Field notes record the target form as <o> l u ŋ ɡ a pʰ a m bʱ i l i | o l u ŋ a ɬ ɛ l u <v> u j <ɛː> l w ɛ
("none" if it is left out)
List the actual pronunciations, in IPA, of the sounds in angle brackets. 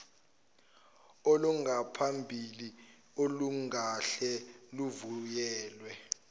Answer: o, v, ɛː

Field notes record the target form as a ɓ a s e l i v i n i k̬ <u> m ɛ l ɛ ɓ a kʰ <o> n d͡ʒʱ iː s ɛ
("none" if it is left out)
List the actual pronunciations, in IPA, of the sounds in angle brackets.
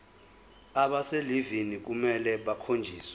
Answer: u, o

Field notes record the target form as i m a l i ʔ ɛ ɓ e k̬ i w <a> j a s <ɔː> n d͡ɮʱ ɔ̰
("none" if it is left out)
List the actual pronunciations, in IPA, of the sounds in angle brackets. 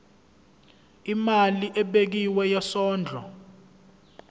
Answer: ɛ, ɔː

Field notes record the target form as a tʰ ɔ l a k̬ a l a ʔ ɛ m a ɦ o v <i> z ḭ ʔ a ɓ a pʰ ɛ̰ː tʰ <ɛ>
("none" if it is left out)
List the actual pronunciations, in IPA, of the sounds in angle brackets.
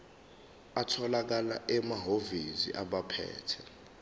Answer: i, ɛ

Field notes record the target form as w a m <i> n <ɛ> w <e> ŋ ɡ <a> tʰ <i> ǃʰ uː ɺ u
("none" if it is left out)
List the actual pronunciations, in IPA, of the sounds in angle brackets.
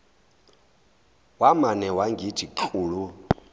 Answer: a, ɛ, a, i, i

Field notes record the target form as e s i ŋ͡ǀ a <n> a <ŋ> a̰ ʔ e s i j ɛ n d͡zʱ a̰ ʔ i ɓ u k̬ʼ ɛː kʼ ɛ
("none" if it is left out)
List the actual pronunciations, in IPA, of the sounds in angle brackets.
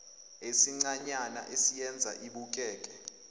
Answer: ɲ, n

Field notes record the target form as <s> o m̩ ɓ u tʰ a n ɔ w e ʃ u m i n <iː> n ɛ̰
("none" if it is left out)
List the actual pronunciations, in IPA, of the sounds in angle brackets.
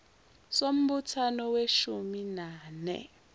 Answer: s, aː

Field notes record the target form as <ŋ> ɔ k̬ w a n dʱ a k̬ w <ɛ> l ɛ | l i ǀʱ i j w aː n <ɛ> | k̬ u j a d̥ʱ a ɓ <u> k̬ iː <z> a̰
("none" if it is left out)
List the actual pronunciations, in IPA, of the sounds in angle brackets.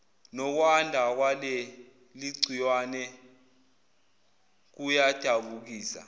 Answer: n, a, ɛ, u, s

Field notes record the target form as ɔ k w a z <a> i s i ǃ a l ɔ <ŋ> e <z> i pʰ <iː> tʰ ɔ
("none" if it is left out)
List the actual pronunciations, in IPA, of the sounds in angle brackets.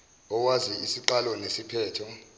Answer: i, n, s, ɛː

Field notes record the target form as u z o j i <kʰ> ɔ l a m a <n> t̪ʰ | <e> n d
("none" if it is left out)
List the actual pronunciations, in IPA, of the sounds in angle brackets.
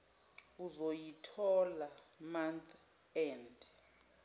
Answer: tʰ, n, ɛ

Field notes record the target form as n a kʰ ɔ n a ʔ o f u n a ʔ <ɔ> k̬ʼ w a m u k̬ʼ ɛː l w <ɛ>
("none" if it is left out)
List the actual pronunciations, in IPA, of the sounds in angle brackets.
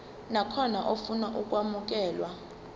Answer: u, a

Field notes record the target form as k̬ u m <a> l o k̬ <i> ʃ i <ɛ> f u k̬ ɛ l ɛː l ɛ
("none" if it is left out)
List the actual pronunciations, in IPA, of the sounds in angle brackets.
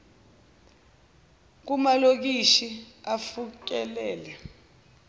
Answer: a, i, a

